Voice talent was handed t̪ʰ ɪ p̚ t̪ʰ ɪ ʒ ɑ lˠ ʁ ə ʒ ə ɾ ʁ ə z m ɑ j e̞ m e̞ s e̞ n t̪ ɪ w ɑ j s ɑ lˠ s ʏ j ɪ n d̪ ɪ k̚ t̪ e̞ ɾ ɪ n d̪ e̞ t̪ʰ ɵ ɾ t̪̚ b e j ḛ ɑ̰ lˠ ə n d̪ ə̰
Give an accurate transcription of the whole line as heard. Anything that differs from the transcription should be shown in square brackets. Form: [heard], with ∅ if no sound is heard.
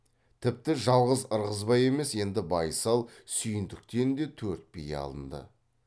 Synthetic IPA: t̪ʰ ɪ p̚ [t̪] ɪ ʒ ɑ lˠ ʁ ə [z] ə ɾ ʁ ə z [b] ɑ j e̞ m e̞ s e̞ n [d̪] ɪ [b] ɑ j s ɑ lˠ s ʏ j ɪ n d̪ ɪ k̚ t̪ e̞ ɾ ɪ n d̪ e̞ t̪ʰ ɵ ɾ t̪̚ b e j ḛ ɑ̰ lˠ ə n d̪ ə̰